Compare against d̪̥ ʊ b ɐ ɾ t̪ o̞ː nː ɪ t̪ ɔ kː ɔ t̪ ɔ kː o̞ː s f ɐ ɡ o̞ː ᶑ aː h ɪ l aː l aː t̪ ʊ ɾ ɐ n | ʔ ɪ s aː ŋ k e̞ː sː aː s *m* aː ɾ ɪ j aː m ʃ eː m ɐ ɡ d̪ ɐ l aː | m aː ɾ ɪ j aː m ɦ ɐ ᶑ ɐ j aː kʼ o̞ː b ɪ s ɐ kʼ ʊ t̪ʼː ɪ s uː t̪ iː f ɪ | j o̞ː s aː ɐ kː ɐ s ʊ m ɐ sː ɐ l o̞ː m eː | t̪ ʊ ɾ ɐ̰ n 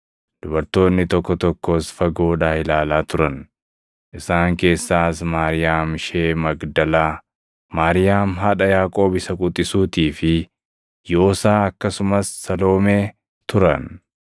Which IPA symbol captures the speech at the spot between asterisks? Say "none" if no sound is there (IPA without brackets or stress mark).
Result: m